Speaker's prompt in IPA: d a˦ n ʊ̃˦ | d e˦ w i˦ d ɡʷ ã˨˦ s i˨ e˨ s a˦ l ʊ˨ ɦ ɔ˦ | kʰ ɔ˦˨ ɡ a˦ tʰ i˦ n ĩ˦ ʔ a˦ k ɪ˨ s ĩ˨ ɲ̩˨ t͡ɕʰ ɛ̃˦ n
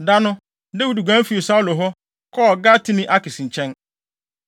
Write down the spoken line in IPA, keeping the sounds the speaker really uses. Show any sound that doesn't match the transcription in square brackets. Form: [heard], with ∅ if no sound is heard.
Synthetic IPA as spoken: d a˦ n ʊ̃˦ | d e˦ w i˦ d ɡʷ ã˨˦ [f] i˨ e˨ s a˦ l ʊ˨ ɦ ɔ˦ | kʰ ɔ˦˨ ɡ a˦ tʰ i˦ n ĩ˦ ʔ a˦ k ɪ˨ s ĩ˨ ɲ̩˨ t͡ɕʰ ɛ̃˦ n